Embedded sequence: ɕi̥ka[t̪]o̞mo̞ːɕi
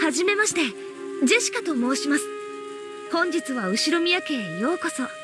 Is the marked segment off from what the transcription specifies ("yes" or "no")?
no